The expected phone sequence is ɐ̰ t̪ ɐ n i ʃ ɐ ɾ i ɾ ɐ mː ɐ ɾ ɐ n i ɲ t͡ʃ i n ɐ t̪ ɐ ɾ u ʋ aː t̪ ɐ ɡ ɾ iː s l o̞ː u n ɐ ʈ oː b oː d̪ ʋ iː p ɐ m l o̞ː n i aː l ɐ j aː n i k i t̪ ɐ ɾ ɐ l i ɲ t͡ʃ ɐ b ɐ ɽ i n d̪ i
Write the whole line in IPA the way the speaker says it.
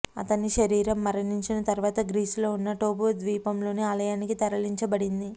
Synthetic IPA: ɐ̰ t̪ ɐ n i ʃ ɐ ɾ iː ɾ ɐ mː ɐ ɾ ɐ n i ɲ t͡ʃ i n ɐ t̪ ɐ ɾ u ʋ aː t̪ ɐ ɡ ɾ iː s l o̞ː u nː ɐ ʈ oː b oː d̪ ʋ iː p ɐ m l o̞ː n i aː l ɐ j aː n i k i t̪ ɐ ɾ ɐ l i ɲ t͡ʃ ɐ b ɐ ɽ i n d̪ i